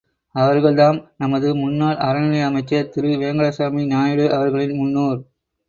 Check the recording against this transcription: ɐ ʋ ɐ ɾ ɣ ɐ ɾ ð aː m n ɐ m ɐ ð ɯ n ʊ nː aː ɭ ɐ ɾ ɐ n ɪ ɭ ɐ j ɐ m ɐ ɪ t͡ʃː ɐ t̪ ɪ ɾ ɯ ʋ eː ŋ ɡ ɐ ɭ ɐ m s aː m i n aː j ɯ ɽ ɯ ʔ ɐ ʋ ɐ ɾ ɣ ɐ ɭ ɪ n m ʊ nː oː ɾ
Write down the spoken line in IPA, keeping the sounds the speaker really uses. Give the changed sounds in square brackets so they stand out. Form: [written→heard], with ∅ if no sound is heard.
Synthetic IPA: ɐ ʋ ɐ ɾ ɣ ɐ [ɾ→ɭ] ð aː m n ɐ m ɐ ð ɯ [n→m] ʊ nː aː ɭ ɐ ɾ ɐ n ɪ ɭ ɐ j ɐ m ɐ ɪ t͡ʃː ɐ t̪ ɪ ɾ ɯ ʋ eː ŋ ɡ ɐ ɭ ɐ [m→∅] s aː m i n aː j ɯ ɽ ɯ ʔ ɐ ʋ ɐ ɾ ɣ ɐ ɭ ɪ n m ʊ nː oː ɾ